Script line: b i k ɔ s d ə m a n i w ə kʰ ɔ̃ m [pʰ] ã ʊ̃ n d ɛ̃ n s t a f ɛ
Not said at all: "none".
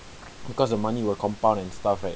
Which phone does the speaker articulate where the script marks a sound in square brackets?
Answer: p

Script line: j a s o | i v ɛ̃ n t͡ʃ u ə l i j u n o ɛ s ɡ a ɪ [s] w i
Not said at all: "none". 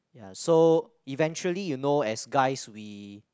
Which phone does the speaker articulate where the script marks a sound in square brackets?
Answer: s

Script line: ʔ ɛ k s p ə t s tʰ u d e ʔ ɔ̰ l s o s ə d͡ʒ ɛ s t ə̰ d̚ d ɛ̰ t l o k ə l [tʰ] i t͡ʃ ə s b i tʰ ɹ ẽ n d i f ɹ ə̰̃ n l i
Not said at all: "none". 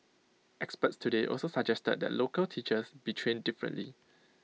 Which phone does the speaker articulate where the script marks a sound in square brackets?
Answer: tʰ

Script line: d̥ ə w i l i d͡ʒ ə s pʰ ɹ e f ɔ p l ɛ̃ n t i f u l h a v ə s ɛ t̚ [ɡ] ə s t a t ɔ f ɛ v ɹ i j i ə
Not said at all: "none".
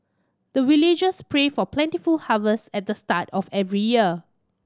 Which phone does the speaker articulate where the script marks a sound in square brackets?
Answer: d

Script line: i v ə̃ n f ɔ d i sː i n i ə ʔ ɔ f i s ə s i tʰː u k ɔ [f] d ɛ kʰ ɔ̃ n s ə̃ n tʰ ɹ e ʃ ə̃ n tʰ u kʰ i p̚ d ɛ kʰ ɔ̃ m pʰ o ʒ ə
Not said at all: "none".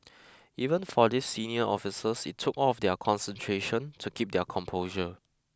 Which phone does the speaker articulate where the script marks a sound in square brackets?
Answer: f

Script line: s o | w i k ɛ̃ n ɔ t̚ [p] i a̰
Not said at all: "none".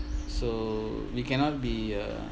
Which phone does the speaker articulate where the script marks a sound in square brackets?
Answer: b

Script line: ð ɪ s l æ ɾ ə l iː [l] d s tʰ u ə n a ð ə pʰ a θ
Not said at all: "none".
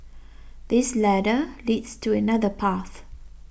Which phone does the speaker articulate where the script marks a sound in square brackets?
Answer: none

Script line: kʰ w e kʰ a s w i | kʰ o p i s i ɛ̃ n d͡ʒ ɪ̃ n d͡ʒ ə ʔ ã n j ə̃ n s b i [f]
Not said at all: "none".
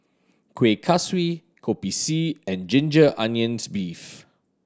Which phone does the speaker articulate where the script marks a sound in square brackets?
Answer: f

